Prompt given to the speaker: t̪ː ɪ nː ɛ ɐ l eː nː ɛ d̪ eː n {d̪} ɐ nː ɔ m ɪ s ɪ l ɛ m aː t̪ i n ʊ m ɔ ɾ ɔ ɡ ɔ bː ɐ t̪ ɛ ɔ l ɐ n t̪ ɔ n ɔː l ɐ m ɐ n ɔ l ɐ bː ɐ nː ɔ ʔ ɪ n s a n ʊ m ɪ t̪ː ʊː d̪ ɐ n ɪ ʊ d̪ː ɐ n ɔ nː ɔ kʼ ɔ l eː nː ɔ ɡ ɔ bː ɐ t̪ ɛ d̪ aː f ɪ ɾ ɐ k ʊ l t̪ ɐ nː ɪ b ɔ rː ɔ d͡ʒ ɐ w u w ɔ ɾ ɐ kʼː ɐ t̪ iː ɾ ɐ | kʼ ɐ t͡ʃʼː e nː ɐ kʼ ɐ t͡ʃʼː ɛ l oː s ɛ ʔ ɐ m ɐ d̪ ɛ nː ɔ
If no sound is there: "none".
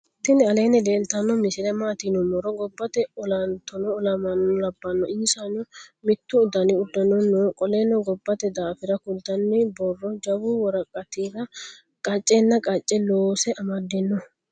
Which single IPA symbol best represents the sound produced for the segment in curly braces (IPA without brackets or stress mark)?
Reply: t̪